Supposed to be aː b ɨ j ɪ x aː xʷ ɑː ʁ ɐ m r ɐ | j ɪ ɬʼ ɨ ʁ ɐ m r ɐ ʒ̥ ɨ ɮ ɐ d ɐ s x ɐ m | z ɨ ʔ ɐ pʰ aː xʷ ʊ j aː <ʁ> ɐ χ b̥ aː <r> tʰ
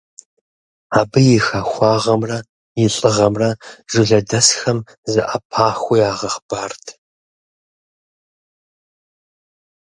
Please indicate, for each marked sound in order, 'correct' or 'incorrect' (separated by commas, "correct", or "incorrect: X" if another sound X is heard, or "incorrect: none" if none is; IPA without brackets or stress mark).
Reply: correct, correct